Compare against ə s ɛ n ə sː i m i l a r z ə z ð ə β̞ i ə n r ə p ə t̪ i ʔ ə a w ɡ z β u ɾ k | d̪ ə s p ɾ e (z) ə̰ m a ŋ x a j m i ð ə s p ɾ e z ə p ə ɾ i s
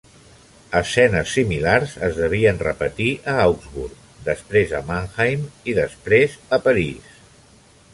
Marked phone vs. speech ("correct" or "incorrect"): correct